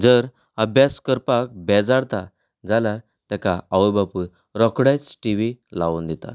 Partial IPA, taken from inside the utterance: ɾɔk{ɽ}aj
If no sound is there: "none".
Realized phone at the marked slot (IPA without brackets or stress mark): ɽ